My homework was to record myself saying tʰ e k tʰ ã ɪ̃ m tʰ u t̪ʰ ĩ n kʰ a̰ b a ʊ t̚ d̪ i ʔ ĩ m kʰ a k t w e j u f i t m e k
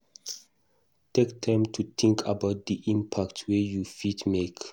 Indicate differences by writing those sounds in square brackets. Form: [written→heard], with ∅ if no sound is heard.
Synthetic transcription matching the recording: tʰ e k tʰ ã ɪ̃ m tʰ u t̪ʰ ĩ [n→ŋ] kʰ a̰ b a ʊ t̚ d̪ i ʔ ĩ m [kʰ→pʰ] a k t w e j u f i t m e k